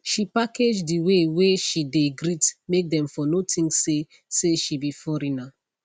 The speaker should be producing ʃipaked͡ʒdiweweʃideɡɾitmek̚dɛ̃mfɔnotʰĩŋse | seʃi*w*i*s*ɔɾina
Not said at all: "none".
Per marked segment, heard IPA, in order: b, f

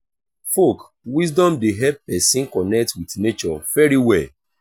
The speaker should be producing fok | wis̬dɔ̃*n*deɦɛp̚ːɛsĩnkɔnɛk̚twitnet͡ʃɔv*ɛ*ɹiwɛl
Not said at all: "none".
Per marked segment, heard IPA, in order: m, ɛ

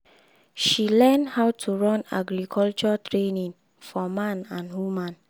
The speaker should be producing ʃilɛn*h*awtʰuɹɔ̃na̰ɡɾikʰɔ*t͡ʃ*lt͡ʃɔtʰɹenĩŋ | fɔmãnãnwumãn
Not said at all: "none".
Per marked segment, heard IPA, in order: h, none

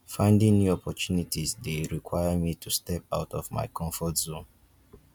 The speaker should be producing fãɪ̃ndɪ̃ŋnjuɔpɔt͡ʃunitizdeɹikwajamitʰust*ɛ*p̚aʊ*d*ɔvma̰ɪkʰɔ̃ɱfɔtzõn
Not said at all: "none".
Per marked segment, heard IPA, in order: ɛ, t

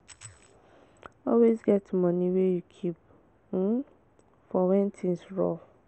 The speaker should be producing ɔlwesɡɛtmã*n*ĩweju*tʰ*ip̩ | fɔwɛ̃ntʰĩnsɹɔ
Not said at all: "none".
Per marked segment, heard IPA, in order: n, kʰ

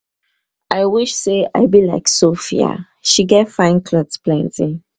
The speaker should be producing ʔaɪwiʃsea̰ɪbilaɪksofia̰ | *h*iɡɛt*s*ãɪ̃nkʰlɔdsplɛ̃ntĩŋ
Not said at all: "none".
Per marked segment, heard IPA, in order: ʃ, f

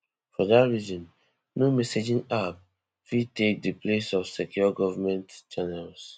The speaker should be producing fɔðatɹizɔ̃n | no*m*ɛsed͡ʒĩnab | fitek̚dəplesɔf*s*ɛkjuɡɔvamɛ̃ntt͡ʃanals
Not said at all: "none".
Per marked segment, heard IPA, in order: m, s

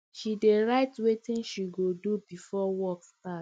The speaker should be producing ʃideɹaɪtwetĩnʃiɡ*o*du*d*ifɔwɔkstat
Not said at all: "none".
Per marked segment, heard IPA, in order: o, b

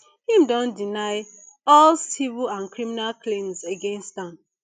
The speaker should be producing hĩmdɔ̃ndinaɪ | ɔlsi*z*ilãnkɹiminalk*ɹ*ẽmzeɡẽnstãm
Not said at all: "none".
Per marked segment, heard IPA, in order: v, l

